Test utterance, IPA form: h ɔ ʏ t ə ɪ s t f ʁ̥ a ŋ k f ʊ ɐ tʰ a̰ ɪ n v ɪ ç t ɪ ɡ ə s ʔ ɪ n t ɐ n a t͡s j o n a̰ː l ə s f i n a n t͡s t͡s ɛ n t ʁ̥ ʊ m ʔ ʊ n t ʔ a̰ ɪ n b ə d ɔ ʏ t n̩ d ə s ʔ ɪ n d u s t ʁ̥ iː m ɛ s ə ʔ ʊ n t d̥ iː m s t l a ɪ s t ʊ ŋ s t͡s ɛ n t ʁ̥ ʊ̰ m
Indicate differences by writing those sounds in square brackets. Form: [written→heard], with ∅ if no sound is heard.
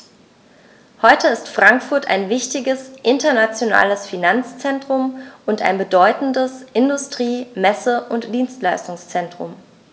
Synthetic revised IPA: h ɔ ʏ t ə ɪ s t f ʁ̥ a ŋ k f ʊ ɐ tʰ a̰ ɪ n v ɪ ç t ɪ ɡ ə s ʔ ɪ n t ɐ n a t͡s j o n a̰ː l ə s f i n a n t͡s t͡s ɛ n t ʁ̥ ʊ m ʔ ʊ n t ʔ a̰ ɪ n b ə d ɔ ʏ t n̩ d ə s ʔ ɪ n d [u→ʊ] s t ʁ̥ iː m ɛ s ə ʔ ʊ n t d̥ iː [m→n] s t l a ɪ s t ʊ ŋ s t͡s ɛ n t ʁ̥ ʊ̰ m